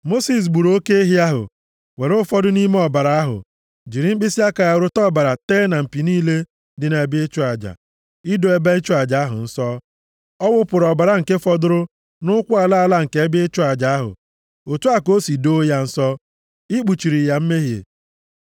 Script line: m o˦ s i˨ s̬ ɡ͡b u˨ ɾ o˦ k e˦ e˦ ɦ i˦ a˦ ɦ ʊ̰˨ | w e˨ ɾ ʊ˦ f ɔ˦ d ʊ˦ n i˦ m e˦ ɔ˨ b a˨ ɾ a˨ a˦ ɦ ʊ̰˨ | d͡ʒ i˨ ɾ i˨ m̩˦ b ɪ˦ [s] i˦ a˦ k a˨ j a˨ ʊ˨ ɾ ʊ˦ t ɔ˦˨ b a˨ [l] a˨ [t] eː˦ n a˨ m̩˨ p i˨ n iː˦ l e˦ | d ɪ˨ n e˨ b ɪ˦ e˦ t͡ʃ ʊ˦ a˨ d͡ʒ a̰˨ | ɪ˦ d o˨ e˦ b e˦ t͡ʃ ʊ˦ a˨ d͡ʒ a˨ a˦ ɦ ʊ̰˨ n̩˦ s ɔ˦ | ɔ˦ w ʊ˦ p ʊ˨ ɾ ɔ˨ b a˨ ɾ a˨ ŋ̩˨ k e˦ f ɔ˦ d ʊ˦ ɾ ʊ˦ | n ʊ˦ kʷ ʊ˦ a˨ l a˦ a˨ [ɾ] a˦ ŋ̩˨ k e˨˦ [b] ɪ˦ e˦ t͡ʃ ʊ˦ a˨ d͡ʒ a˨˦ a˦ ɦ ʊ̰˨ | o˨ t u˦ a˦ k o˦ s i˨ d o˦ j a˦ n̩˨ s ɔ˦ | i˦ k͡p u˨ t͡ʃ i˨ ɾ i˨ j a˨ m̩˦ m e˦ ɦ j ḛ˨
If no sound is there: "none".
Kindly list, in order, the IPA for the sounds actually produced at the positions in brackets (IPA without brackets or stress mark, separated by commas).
s, ɾ, t, l, b